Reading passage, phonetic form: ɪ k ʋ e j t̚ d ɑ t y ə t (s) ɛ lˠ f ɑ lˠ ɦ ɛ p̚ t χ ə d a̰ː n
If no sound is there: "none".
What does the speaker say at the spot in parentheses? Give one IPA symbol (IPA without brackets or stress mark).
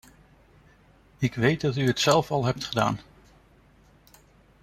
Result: s